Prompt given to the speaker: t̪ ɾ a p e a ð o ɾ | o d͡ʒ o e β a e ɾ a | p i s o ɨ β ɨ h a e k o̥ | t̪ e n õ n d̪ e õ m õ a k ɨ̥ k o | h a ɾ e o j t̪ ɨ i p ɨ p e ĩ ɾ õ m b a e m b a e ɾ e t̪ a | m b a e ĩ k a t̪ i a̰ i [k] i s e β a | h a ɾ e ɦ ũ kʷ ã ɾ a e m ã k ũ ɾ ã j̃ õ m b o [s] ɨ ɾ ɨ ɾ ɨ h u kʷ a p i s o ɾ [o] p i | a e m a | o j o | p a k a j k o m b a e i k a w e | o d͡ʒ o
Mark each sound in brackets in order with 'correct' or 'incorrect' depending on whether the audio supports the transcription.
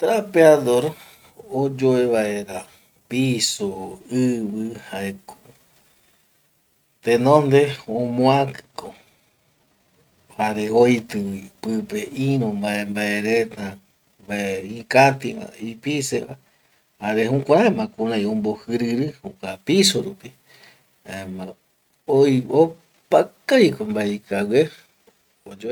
incorrect, incorrect, incorrect

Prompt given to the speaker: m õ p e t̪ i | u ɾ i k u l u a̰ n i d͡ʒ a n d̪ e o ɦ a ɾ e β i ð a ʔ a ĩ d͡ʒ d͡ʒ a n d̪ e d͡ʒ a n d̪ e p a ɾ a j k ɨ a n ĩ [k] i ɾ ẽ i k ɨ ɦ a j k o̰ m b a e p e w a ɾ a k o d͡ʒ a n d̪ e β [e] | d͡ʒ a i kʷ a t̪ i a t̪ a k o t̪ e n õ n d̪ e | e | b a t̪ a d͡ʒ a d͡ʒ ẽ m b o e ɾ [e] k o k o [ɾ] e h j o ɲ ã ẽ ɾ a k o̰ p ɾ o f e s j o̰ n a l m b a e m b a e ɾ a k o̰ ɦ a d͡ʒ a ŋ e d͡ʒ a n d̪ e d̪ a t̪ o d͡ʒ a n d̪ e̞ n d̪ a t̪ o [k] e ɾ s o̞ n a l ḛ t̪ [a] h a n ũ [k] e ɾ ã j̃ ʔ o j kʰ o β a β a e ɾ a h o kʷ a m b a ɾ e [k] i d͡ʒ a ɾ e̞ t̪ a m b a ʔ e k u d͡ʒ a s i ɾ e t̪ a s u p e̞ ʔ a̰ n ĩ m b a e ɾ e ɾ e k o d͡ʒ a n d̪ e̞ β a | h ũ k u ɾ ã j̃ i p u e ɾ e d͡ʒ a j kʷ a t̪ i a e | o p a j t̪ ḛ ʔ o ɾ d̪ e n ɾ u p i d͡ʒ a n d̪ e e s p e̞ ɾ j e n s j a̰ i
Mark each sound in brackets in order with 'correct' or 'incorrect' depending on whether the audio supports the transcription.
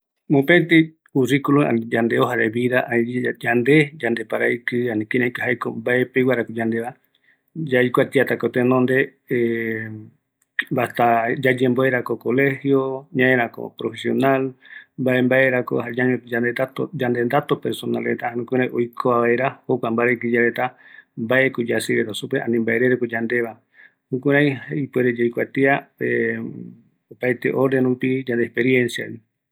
correct, incorrect, incorrect, incorrect, incorrect, correct, correct, correct

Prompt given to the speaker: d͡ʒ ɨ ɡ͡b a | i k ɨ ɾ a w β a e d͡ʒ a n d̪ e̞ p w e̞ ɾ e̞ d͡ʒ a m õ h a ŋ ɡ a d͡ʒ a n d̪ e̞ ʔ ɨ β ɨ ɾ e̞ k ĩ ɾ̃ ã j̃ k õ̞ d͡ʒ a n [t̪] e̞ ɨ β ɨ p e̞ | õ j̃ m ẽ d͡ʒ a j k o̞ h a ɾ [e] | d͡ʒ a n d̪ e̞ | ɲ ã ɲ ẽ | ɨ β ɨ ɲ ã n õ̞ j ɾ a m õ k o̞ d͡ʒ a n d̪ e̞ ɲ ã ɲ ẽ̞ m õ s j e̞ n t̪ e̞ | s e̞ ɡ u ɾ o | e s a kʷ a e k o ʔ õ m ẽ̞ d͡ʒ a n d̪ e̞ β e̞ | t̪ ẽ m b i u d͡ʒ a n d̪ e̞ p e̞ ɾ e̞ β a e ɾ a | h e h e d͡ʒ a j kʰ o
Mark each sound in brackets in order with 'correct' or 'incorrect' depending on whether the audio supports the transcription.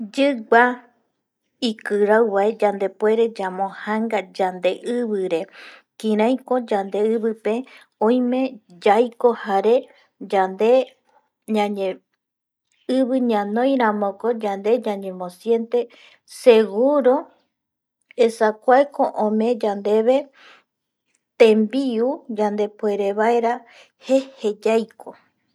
incorrect, correct

